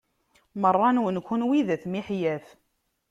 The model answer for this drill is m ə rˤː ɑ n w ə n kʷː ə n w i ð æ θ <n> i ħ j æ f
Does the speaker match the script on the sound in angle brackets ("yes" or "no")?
no